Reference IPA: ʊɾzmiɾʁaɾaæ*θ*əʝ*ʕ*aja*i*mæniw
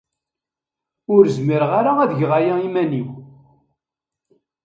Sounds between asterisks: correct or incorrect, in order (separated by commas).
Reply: incorrect, incorrect, correct